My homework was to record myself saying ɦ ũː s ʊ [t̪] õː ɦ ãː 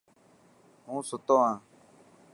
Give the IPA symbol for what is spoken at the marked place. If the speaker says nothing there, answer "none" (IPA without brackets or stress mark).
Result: t̪